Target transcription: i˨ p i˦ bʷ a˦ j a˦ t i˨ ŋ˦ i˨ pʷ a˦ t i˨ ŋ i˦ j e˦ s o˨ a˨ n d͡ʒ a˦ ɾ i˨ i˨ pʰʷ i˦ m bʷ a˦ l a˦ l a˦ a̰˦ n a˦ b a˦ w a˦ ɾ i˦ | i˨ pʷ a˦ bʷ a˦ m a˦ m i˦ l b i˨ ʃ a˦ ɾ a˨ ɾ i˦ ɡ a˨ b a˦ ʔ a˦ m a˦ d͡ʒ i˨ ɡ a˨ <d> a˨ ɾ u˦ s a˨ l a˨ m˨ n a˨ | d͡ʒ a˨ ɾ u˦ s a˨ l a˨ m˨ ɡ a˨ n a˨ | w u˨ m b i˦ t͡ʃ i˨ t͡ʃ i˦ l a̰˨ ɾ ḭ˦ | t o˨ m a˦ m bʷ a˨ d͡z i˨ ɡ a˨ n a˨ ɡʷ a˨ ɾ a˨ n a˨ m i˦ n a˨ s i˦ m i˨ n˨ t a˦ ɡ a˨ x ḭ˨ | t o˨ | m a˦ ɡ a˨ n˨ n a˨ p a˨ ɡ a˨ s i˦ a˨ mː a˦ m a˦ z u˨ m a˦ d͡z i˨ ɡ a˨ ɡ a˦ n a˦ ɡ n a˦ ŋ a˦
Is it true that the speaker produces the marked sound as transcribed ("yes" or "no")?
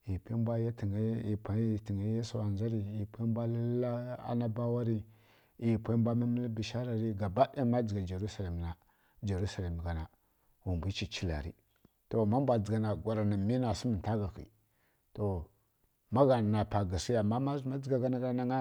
no